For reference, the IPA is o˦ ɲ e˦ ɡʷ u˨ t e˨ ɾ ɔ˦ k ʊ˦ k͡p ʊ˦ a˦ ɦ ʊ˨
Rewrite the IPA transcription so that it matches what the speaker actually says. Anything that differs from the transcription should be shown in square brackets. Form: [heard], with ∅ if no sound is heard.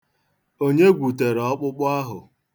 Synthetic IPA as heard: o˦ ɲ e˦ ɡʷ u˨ t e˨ ɾ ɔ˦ [k͡p] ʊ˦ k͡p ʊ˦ a˦ ɦ ʊ˨

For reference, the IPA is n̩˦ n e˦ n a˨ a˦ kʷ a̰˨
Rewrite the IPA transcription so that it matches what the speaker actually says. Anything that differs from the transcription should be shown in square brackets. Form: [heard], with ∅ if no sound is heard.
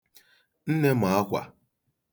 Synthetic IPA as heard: n̩˦ n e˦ [m] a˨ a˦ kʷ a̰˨

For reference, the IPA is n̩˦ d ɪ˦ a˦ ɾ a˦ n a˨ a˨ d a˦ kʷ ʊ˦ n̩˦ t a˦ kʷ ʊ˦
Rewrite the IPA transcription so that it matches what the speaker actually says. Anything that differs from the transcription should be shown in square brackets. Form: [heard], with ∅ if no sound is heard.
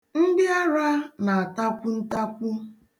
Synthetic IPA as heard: n̩˦ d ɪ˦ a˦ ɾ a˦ n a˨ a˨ [t] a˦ kʷ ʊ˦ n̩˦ t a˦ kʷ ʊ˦

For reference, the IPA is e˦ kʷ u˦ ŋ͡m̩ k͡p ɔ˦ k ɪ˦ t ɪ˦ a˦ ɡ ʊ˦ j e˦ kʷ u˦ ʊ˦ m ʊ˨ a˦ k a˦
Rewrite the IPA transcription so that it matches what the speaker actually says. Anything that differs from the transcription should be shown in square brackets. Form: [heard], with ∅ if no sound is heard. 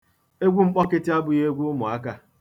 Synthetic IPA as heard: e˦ [ɡʷ] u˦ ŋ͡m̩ k͡p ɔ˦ k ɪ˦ t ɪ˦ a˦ [b] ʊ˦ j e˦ [ɡʷ] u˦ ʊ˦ m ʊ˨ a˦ k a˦

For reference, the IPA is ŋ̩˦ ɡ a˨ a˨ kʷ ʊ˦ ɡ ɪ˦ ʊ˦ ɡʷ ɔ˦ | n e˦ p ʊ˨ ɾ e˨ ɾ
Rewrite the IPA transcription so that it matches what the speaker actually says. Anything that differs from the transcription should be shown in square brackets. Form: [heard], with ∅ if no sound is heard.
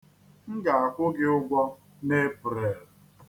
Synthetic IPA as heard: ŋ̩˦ ɡ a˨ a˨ kʷ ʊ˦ ɡ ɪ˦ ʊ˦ ɡʷ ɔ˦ | n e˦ p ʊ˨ ɾ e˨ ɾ

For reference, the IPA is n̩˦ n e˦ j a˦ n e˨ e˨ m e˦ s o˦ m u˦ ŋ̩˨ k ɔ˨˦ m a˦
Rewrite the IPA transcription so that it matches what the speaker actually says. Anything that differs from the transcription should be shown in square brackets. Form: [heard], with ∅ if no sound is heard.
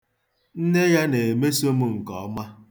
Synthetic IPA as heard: n̩˦ n e˦ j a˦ n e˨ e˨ m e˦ s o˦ m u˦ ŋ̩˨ k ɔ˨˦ m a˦

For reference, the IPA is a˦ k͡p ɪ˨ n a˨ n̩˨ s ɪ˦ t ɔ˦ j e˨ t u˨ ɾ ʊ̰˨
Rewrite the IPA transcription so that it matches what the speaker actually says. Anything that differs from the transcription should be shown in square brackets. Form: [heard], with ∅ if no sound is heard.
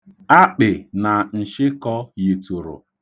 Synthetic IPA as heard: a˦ k͡p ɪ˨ n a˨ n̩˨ [ʃ] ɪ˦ [k] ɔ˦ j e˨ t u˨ ɾ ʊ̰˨

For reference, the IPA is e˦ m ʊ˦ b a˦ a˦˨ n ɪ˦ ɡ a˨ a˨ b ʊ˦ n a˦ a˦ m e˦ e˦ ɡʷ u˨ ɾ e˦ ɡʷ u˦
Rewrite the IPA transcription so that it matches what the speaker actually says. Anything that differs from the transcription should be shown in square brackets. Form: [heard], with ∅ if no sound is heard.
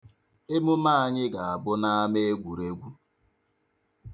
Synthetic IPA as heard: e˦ m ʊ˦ [m] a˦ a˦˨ [ɲ] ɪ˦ ɡ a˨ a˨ b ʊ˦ n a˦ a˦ m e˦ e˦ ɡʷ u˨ ɾ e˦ ɡʷ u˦

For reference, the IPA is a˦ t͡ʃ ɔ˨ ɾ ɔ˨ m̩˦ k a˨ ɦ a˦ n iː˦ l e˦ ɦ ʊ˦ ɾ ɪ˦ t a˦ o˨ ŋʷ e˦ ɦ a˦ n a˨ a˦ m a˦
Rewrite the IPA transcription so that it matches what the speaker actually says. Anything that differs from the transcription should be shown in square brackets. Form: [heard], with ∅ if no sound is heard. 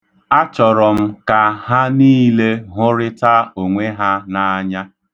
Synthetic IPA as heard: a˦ t͡ʃ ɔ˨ ɾ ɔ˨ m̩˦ k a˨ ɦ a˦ n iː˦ l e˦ ɦ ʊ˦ ɾ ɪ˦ t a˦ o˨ ŋʷ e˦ ɦ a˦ n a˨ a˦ [ɲ] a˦

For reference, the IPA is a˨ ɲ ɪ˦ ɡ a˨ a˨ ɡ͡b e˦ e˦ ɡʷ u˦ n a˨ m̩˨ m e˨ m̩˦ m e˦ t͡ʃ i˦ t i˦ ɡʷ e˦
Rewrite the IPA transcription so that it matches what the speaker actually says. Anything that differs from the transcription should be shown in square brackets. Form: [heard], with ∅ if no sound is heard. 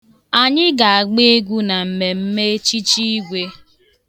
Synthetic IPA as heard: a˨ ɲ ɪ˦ ɡ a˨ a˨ ɡ͡b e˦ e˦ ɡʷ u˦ n a˨ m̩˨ m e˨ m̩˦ m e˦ t͡ʃ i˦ [t͡ʃ] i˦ ɡʷ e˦

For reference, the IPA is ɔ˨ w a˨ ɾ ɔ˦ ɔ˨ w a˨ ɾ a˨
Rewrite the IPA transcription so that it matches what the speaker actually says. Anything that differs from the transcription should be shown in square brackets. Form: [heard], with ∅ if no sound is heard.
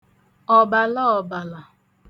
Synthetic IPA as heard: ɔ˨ [b] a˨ [l] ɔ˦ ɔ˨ [b] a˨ [l] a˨

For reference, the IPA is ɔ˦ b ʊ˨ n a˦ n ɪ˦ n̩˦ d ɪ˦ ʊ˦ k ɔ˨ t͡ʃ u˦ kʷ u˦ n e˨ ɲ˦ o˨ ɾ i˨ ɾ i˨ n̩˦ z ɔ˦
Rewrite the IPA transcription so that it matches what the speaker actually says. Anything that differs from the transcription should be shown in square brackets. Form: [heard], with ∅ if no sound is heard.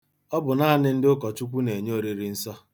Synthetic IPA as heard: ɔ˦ b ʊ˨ n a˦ n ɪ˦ n̩˦ d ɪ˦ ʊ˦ k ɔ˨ t͡ʃ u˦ kʷ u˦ n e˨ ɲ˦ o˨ ɾ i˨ ɾ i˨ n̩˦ [s] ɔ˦

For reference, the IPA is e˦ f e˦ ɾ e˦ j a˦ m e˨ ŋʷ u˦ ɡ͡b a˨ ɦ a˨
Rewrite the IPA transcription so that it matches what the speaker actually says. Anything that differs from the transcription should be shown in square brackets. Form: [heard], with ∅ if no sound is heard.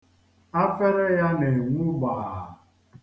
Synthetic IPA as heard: [a˦] f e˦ ɾ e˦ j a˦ [n] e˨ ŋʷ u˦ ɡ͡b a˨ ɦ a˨

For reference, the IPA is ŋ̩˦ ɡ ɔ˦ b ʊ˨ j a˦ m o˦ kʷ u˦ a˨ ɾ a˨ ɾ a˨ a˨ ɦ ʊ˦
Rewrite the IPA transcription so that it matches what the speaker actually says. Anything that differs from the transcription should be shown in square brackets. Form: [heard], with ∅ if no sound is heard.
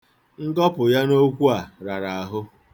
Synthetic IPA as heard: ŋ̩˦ ɡ ɔ˦ [p] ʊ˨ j a˦ [n] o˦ kʷ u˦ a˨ ɾ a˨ ɾ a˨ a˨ ɦ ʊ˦

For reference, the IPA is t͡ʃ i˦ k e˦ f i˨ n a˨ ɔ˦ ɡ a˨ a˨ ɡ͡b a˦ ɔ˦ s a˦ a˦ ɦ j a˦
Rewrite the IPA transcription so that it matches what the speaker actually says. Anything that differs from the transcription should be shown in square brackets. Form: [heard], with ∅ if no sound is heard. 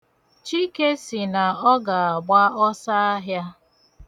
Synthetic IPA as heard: t͡ʃ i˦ k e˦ [s] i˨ n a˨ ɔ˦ ɡ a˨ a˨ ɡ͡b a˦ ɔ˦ s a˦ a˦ ɦ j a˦

